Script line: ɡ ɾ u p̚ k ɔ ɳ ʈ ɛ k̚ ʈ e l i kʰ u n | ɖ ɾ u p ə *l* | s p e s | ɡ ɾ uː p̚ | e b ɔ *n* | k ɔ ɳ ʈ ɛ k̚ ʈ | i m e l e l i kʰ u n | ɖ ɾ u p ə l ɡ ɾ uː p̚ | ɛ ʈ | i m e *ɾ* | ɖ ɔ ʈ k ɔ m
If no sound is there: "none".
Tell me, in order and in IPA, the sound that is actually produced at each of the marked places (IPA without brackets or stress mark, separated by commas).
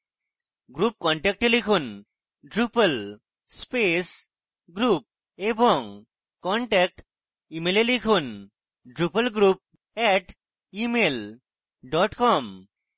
l, ŋ, l